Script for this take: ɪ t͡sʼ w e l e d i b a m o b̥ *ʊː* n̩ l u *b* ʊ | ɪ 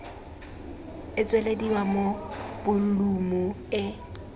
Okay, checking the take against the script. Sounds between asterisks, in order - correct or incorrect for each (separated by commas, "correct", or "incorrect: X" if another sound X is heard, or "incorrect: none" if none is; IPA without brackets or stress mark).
incorrect: ʊ, incorrect: m